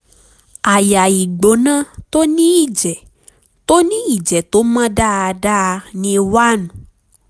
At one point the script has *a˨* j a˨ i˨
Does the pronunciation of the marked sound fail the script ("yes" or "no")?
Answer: no